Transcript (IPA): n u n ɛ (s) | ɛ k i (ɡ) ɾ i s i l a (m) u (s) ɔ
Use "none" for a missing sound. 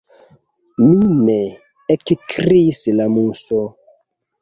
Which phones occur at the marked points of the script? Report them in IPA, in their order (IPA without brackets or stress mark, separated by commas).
none, k, m, s